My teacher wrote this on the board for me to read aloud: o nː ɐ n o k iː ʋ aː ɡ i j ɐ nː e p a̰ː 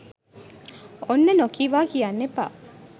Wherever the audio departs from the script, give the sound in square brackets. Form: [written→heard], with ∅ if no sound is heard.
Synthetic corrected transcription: o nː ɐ n o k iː ʋ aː [ɡ→k] i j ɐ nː e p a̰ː

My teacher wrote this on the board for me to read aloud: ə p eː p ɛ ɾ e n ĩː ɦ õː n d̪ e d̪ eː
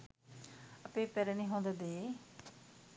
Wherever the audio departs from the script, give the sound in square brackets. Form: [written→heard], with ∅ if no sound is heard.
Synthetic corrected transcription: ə p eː p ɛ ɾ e n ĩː ɦ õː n d̪ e d̪ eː

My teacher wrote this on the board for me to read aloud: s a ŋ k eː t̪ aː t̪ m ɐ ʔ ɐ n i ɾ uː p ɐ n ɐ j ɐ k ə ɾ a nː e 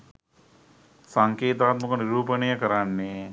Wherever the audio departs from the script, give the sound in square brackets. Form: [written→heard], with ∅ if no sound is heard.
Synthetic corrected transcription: s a ŋ k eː t̪ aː t̪ m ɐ [ʔ→k] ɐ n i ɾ uː p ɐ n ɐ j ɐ k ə ɾ a nː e

